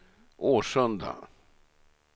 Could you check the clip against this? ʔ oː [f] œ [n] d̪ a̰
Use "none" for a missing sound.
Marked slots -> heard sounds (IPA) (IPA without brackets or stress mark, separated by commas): ʂ, n